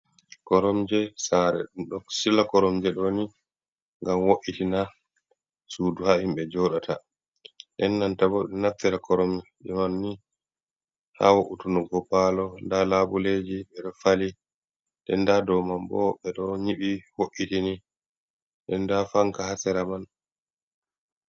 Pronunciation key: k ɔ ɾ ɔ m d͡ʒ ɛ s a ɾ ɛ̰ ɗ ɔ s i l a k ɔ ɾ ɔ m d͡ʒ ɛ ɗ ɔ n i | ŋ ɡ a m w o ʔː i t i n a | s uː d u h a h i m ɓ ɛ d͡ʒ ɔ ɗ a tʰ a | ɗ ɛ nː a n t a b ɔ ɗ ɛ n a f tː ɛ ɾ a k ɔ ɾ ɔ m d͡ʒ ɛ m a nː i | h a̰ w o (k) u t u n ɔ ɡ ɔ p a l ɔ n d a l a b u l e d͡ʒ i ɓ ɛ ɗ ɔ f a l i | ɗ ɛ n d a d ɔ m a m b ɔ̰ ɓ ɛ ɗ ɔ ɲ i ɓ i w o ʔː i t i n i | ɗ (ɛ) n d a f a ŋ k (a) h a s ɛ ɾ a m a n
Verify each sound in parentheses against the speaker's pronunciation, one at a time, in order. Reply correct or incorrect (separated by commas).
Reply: incorrect, correct, correct